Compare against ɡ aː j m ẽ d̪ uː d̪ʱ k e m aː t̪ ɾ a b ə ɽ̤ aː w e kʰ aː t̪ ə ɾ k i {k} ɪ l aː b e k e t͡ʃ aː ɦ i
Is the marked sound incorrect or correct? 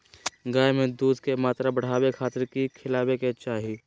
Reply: incorrect